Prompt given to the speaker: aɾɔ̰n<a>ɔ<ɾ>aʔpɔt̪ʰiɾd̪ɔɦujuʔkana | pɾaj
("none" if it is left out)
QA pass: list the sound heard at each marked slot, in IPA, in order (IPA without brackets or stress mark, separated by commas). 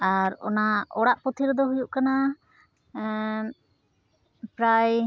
a, ɽ